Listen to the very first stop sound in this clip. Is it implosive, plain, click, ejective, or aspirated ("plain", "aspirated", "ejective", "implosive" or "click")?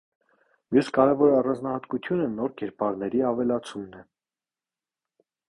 plain